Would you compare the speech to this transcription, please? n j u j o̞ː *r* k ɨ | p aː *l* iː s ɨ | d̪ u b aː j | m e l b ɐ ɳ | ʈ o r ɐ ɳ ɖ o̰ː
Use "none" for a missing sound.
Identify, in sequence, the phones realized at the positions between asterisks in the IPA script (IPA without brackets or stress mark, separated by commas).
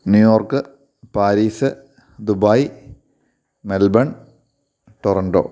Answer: r, ɾ